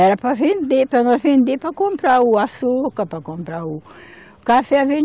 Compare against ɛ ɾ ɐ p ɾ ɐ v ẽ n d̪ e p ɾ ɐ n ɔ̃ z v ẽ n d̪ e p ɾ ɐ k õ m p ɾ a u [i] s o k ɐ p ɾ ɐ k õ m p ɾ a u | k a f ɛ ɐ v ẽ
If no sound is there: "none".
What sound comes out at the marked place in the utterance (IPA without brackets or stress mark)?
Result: a